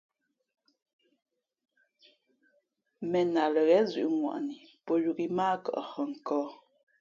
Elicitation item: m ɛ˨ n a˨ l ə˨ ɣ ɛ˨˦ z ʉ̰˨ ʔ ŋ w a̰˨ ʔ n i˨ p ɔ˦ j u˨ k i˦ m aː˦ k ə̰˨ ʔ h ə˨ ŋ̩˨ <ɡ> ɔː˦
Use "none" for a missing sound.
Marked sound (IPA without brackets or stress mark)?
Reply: k